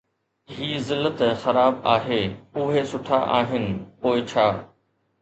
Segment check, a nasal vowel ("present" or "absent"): absent